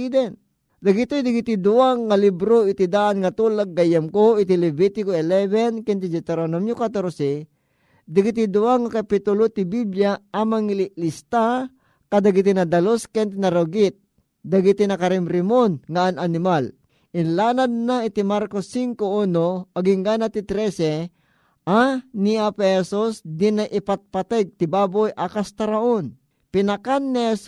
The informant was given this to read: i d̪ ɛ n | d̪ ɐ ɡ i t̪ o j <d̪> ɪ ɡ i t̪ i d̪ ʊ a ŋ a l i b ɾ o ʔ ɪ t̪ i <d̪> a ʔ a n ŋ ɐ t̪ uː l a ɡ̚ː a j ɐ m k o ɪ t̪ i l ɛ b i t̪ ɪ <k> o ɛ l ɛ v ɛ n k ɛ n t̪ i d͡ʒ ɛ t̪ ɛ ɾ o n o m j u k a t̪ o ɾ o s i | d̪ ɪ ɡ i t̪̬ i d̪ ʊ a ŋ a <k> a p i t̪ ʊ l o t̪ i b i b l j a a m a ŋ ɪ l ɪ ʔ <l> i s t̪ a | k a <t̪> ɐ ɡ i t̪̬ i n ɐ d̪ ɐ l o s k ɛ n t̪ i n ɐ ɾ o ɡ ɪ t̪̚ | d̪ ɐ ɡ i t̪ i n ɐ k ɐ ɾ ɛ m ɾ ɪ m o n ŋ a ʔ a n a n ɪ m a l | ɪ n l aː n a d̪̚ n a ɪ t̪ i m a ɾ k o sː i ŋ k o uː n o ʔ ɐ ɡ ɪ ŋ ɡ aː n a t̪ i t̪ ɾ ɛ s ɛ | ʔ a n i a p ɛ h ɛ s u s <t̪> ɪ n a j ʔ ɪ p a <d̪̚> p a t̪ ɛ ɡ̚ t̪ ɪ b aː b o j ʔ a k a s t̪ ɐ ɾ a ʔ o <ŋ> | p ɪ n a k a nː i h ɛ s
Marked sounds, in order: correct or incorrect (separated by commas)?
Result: correct, correct, correct, correct, correct, incorrect, incorrect, incorrect, incorrect